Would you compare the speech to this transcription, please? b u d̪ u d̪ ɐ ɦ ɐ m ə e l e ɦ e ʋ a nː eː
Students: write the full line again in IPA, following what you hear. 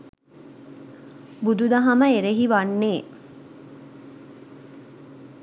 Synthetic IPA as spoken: b u d̪ u d̪ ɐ ɦ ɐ m ə e ɾ e ɦ i ʋ a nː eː

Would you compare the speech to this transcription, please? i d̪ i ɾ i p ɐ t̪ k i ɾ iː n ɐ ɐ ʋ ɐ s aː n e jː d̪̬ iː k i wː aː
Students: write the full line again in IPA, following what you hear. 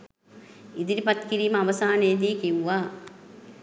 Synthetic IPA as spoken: i d̪ i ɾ i p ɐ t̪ k i ɾ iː m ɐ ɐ ʋ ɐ s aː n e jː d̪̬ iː k i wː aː

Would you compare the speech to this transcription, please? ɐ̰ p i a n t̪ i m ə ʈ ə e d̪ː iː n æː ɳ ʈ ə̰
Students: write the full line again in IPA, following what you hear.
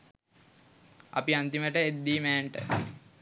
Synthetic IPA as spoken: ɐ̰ p i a n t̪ i m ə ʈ ə e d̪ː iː m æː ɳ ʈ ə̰

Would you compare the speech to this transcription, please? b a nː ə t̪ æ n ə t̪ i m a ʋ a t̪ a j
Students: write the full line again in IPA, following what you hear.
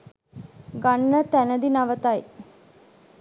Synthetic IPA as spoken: ɡ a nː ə t̪ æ n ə d̪ i n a ʋ ə t̪ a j

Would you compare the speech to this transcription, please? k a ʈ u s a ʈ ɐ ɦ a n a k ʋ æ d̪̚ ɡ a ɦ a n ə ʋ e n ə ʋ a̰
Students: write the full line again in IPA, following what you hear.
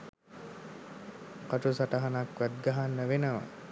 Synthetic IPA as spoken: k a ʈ u s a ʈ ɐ ɦ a n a k ʋ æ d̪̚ ɡ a ɦ a nː ə ʋ e n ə ʋ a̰

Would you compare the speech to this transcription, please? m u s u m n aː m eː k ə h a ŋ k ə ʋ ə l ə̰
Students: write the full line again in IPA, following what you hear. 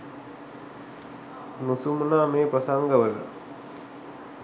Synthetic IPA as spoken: n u s u m n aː m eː p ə s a ŋ ɡ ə ʋ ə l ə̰

